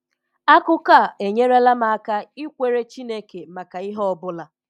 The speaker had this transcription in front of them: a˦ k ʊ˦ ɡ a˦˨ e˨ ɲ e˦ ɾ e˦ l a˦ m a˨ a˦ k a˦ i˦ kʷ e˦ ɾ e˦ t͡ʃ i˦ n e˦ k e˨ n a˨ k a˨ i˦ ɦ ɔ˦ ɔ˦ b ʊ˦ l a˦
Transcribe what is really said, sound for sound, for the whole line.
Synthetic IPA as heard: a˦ k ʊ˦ k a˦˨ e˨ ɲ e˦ ɾ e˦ l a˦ m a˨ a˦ k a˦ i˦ kʷ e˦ ɾ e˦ t͡ʃ i˦ n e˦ k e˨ m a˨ k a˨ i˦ ɦ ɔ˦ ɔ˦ b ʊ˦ l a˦